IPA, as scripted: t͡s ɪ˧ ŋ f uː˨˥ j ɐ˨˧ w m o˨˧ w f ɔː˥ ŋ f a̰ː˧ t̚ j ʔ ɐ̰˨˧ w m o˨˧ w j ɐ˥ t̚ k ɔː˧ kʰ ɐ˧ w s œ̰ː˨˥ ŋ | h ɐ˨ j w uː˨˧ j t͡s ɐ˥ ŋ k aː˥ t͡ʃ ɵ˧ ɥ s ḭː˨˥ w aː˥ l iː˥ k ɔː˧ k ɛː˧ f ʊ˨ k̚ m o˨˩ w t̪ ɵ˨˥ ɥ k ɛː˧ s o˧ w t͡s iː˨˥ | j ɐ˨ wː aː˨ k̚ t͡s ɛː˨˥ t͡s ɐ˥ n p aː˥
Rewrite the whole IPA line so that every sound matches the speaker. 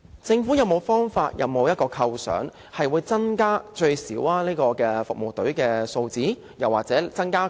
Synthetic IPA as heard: t͡s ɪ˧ ŋ f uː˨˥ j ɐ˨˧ w m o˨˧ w f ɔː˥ ŋ f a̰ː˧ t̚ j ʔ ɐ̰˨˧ w m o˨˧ w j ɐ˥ t̚ k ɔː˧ kʰ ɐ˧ w s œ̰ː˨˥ ŋ | h ɐ˨ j w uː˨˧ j t͡s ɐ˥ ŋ k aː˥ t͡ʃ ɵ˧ ɥ s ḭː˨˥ w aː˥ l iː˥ k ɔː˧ k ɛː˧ f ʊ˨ k̚ m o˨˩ w t̪ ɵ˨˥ ɥ k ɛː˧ s o˧ w t͡s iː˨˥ | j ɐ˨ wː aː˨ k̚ t͡s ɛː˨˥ t͡s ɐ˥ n k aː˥